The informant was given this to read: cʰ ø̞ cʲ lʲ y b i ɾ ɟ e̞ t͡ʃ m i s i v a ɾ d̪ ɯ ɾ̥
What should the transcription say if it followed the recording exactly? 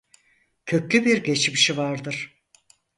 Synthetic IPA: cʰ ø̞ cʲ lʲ y b i ɾ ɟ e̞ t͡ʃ m i ʃ i v a ɾ d̪ ɯ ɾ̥